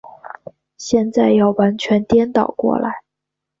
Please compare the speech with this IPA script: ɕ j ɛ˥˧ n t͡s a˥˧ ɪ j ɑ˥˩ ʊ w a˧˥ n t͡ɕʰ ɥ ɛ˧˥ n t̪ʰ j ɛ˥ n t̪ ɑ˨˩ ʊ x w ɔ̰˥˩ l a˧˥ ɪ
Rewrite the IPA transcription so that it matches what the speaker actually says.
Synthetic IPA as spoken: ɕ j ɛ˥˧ n t͡s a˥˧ ɪ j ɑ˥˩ ʊ w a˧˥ n t͡ɕʰ ɥ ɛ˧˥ n t̪ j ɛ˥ n t̪ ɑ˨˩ ʊ k w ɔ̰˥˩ l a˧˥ ɪ